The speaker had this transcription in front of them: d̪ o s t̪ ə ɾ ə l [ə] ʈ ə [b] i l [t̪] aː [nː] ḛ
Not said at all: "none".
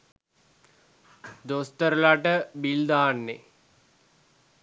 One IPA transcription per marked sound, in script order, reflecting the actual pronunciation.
a, b, d̪, nː

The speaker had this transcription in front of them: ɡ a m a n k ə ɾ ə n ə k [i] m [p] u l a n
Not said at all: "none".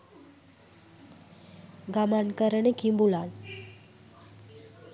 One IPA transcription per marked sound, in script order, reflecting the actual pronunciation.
i, b

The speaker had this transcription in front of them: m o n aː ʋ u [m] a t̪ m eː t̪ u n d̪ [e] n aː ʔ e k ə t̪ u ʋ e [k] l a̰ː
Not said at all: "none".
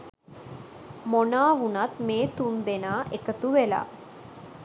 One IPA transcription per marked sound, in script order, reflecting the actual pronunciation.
n, e, none

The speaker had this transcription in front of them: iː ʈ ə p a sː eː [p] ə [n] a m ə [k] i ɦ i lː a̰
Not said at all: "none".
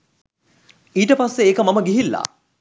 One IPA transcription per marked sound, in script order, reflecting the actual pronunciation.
k, m, ɡ

